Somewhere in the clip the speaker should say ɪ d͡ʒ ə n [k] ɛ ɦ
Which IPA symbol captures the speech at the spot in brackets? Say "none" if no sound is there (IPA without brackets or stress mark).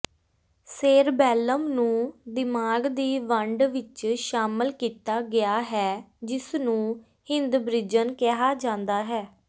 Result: k